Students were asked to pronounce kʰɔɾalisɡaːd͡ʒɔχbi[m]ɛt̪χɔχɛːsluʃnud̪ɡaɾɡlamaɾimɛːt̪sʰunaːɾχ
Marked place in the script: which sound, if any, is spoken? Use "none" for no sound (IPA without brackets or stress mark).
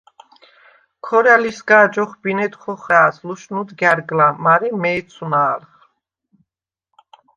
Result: n